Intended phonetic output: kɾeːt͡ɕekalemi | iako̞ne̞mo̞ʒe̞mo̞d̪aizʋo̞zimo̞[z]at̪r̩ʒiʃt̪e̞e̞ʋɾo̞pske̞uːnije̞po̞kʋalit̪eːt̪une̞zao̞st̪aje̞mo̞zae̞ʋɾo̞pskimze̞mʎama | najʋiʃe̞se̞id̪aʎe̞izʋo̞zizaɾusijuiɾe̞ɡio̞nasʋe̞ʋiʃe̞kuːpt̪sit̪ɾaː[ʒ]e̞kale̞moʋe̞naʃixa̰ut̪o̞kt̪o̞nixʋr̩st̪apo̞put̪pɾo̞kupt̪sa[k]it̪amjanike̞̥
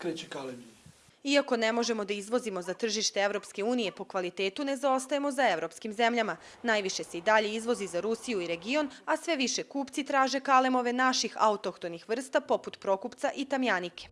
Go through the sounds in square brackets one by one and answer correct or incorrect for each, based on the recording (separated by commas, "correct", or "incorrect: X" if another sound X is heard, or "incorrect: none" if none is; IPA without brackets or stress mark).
correct, correct, incorrect: ʔ